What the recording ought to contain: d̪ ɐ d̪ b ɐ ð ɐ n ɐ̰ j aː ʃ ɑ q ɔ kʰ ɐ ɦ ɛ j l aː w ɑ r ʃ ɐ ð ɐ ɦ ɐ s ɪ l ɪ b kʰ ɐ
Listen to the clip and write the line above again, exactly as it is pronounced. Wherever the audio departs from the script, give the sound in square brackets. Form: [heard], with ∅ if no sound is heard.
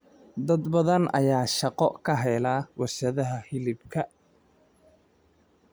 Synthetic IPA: d̪ ɐ d̪ b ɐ ð ɐ n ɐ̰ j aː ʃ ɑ q ɔ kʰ ɐ ɦ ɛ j l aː w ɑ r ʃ ɐ ð ɐ ɦ ɐ [h] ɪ l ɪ b kʰ ɐ